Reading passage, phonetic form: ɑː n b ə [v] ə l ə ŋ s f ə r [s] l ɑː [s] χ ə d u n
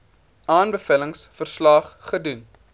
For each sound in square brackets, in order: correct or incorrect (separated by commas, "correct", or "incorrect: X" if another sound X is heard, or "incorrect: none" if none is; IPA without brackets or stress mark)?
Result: incorrect: f, correct, incorrect: χ